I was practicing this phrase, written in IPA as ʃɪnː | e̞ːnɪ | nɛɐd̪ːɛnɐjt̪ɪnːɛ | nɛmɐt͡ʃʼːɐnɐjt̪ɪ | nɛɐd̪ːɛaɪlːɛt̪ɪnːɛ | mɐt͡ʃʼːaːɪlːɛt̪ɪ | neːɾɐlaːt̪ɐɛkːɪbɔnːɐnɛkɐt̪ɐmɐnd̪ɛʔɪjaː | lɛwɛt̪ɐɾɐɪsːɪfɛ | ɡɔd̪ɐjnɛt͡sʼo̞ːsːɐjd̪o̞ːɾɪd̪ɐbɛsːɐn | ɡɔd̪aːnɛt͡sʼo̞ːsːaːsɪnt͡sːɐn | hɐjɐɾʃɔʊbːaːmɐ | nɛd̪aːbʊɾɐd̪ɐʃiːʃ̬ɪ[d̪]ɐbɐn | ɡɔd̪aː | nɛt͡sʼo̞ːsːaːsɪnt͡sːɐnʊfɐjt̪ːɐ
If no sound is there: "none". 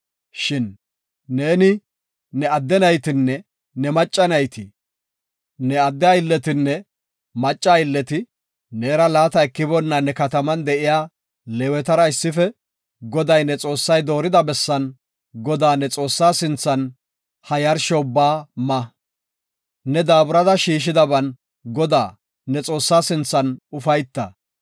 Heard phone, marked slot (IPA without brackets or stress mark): d̪